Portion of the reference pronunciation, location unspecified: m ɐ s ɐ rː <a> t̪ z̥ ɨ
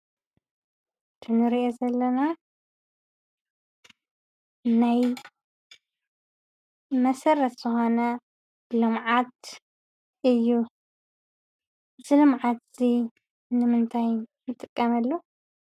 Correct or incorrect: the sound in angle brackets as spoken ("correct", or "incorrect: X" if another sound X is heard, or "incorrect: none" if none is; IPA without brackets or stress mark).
incorrect: ɐ